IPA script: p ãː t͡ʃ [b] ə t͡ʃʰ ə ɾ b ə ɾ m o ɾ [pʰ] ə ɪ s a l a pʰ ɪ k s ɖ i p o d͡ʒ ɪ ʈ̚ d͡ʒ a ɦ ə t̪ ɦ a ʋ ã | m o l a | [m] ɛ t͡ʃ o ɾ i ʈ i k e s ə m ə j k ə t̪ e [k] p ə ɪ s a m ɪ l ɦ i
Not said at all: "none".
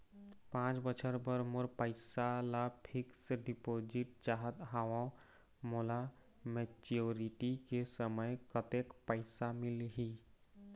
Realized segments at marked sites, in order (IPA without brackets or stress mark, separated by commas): b, p, m, k